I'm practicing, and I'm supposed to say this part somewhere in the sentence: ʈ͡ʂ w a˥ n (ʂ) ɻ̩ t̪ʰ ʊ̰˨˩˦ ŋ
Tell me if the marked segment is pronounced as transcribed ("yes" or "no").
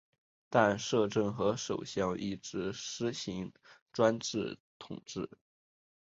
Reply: no